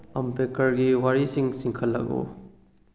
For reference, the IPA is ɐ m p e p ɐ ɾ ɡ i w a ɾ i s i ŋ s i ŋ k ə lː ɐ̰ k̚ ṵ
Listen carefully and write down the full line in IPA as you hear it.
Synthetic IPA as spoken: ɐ m p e k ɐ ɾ ɡ i w a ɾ i s i ŋ s i ŋ kʰ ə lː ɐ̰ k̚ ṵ